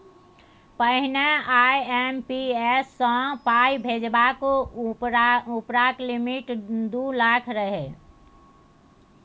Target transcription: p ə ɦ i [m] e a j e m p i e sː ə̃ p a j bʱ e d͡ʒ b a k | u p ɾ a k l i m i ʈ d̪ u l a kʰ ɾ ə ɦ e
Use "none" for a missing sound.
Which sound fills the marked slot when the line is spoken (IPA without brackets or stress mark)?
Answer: n